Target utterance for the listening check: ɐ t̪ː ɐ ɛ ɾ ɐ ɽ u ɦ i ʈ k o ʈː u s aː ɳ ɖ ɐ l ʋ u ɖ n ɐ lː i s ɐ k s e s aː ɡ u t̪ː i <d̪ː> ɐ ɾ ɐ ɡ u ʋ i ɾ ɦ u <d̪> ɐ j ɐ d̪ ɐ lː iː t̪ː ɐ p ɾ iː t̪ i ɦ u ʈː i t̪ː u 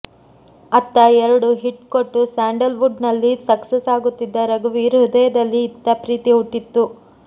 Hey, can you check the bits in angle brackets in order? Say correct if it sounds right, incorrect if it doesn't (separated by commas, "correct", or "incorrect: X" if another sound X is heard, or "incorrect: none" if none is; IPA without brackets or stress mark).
correct, correct